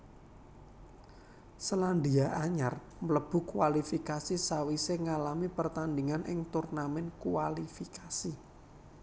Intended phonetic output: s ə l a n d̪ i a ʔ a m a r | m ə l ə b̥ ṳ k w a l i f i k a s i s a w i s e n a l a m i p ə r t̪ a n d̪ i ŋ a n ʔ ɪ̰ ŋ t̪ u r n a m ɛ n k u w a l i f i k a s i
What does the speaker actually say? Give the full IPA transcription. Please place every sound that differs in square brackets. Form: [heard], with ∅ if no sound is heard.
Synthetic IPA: s ə l a n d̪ i a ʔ a [ɲ] a r | m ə l ə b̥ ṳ k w a l i f i k a s i s a w i s e [ŋ] a l a m i p ə r t̪ a n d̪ i ŋ a n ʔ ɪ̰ ŋ t̪ u r n a m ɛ n k u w a l i f i k a s i